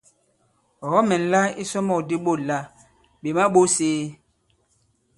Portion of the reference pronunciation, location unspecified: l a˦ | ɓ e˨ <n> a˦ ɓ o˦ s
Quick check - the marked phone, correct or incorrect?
incorrect